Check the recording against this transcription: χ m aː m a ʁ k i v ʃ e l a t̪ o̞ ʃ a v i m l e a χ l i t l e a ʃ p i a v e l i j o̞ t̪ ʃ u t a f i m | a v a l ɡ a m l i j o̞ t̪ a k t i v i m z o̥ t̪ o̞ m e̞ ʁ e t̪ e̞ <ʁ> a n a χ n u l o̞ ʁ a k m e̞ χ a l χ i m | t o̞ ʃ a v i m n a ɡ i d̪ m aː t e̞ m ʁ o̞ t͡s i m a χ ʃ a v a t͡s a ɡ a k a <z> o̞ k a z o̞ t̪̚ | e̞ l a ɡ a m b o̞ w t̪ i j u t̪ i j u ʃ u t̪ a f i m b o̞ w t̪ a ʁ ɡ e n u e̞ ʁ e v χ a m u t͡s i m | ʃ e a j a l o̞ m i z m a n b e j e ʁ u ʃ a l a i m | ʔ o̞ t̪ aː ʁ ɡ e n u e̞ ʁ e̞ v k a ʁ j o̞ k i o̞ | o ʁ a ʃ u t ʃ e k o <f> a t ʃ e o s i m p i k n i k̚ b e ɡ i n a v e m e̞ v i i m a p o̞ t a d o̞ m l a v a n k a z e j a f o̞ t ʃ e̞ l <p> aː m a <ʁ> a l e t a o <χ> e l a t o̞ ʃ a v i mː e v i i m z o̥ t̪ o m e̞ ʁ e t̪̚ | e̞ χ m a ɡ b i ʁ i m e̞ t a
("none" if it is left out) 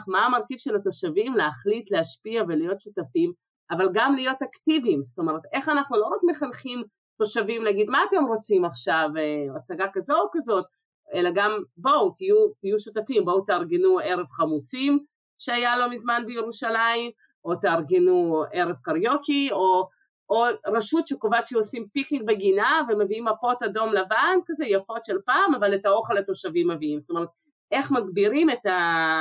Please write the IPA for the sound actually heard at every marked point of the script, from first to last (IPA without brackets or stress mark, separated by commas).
χ, z, v, p, v, χ